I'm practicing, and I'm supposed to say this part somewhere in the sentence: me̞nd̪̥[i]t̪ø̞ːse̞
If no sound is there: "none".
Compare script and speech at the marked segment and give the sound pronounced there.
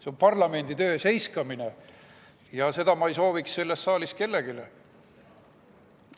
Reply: i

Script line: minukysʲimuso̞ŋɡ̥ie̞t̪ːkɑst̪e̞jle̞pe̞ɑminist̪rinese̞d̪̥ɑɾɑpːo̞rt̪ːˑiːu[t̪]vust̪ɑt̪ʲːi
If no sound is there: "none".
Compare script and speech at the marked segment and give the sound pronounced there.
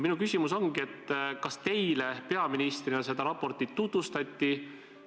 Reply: t̪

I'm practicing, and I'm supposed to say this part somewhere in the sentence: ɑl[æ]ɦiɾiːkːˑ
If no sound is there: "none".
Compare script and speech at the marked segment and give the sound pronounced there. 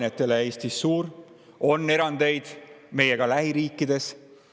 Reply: æ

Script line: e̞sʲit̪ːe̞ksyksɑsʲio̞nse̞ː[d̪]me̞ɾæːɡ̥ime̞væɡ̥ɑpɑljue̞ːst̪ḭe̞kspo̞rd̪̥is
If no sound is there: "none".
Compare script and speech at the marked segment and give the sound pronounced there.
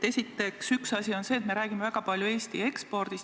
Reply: t̪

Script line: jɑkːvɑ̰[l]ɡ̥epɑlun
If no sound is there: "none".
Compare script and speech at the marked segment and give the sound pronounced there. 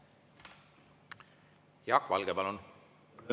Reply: l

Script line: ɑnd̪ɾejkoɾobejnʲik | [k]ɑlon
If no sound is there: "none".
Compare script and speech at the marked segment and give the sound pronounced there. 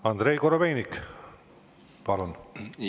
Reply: p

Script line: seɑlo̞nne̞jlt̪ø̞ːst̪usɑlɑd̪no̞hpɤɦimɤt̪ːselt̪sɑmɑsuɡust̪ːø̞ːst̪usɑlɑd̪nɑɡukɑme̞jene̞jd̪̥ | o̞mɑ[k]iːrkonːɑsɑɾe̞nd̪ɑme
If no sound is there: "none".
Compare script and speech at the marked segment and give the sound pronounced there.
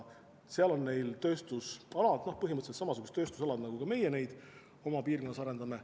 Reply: p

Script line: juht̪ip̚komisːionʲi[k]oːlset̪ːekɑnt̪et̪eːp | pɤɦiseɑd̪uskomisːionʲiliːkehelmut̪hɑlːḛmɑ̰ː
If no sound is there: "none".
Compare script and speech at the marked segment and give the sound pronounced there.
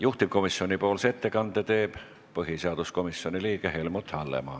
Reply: p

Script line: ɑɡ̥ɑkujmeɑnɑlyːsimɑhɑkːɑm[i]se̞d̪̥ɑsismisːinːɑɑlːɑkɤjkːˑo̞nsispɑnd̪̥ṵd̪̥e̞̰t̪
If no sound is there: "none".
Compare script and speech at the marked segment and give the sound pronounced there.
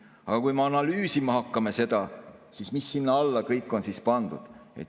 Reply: e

